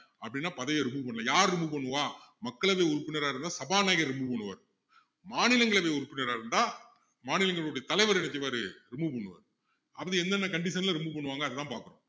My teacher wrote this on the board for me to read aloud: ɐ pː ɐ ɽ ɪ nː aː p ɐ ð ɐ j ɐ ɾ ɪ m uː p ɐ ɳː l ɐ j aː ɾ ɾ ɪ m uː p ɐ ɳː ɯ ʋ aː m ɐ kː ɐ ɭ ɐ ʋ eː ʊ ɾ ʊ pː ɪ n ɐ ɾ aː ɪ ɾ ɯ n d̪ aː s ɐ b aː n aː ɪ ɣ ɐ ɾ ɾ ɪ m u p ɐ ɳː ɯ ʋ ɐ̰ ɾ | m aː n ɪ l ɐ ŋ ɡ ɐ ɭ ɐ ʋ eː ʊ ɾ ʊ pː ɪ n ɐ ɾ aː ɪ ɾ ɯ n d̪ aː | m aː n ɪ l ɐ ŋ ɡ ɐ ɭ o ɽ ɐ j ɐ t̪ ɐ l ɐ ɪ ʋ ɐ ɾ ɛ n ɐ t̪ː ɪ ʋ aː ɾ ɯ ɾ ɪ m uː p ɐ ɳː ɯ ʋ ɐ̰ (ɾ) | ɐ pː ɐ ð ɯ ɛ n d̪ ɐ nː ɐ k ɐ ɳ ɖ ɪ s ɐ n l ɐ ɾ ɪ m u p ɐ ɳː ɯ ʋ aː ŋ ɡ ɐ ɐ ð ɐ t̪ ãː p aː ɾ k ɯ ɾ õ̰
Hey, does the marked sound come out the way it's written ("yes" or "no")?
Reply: yes